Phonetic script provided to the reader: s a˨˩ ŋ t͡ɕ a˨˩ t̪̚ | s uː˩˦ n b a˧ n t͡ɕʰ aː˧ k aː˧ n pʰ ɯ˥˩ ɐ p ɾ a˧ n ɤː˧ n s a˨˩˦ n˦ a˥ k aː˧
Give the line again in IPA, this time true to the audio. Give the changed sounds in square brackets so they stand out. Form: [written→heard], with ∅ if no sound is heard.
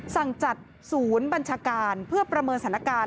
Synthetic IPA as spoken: s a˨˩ ŋ t͡ɕ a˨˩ t̪̚ | s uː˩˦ n b a˧ n t͡ɕʰ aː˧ k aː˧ n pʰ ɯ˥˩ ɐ p ɾ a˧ [n→m] ɤː˧ n s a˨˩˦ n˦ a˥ k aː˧